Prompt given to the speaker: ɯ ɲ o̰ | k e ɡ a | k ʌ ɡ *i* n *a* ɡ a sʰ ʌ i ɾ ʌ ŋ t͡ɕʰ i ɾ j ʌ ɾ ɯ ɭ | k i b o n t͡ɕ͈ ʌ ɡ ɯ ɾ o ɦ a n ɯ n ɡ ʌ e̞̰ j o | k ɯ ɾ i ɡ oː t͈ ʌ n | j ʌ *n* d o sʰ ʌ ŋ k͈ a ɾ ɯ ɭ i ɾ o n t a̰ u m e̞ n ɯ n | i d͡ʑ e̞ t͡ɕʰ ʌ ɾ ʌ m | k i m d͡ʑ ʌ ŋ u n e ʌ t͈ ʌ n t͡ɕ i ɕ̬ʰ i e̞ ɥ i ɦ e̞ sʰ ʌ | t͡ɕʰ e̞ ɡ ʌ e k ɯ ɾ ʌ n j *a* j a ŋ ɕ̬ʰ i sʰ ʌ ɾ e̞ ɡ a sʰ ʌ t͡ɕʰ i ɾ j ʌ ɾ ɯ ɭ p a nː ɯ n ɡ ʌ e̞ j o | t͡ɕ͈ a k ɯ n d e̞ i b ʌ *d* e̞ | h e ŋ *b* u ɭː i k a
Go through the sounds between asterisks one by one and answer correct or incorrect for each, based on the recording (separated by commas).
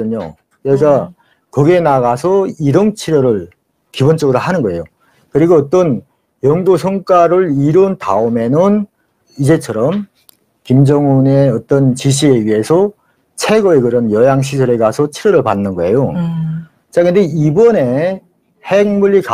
incorrect, correct, incorrect, incorrect, incorrect, incorrect